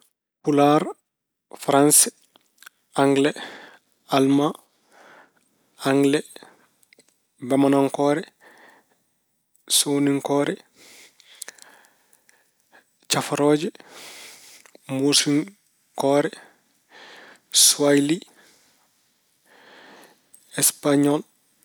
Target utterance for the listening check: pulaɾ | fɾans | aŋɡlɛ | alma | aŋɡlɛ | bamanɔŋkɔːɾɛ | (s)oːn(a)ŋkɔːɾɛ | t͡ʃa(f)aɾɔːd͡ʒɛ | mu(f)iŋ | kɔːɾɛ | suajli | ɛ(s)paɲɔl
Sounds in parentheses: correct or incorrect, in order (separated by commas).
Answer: correct, incorrect, correct, incorrect, correct